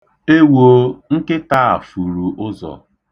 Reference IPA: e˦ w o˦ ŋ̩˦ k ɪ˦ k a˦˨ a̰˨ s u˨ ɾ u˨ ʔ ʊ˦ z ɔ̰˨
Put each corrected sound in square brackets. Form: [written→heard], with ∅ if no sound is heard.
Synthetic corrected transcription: e˦ w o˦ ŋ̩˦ k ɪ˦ [k→t] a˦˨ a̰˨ [s→f] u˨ ɾ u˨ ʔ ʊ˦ z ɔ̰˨